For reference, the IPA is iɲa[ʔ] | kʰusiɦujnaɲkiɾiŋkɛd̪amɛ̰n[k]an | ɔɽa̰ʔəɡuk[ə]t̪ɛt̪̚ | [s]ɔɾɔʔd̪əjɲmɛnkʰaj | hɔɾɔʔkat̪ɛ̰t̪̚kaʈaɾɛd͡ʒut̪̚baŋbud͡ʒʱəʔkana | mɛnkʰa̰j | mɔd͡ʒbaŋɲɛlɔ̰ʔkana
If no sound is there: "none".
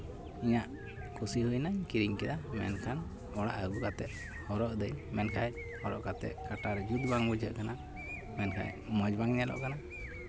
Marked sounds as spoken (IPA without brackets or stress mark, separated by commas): ʔ, kʰ, a, h